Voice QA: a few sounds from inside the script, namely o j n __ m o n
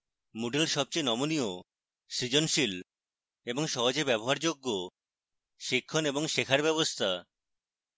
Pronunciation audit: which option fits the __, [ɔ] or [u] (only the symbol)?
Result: ɔ